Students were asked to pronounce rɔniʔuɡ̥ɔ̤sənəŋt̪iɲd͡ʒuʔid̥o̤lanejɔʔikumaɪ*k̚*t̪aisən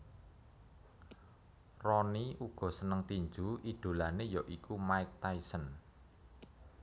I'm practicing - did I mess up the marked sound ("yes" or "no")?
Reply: no